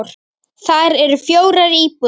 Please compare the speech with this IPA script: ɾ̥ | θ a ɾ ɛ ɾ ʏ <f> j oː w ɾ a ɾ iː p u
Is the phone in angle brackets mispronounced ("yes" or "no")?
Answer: no